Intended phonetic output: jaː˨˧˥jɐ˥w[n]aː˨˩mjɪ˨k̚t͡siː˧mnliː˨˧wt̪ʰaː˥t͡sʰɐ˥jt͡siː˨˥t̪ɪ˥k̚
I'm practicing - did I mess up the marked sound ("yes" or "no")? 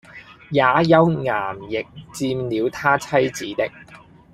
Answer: yes